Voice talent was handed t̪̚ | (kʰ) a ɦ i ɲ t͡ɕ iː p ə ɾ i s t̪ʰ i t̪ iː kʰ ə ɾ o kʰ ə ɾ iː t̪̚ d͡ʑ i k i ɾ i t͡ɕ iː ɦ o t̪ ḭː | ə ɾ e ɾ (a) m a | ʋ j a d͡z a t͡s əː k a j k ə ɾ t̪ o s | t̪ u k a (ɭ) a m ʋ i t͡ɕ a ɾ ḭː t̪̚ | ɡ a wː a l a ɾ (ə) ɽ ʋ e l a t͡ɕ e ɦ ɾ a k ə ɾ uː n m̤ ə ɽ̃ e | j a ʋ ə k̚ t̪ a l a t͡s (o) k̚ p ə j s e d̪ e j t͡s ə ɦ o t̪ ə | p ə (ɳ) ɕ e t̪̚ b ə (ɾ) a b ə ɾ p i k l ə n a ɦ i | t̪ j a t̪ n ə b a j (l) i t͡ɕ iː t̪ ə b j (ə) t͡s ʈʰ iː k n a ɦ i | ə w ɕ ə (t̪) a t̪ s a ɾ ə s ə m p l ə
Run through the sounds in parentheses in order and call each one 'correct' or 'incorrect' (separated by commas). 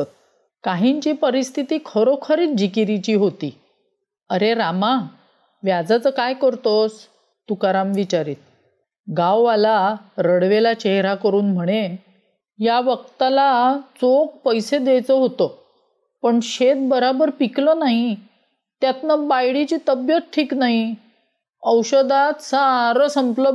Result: incorrect, correct, incorrect, correct, correct, correct, correct, incorrect, correct, incorrect